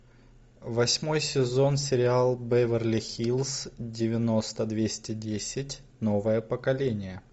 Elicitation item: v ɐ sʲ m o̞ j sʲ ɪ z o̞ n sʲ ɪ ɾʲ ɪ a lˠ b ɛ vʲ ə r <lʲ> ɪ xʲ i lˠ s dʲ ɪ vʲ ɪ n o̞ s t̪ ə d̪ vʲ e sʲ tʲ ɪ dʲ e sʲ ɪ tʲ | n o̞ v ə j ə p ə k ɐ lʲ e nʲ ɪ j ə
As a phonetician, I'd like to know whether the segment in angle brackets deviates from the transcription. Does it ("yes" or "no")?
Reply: no